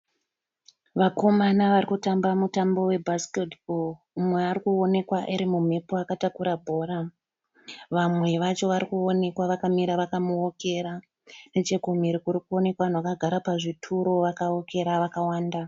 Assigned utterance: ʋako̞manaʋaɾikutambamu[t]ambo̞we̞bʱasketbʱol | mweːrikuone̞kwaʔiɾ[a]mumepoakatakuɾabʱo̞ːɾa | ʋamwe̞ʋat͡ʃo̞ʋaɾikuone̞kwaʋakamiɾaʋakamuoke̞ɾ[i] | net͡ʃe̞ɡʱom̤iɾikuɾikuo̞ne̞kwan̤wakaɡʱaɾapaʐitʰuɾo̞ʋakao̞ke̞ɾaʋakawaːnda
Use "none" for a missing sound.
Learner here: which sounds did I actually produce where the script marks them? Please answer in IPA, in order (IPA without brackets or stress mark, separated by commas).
t, i, a